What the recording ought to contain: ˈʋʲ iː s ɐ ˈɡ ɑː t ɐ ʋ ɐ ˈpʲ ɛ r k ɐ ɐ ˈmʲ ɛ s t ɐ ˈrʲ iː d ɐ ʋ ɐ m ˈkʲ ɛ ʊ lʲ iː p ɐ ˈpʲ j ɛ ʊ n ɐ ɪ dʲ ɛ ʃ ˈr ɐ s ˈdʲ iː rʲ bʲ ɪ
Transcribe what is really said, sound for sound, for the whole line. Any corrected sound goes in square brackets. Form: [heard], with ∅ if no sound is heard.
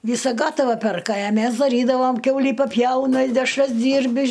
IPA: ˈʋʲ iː s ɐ ˈɡ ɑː t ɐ ʋ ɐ ˈpʲ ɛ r k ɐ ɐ ˈmʲ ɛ s [d] ɐ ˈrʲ iː d ɐ ʋ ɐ m ˈkʲ ɛ ʊ lʲ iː p ɐ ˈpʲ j ɛ ʊ n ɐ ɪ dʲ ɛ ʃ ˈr ɐ s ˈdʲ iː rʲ bʲ ɪ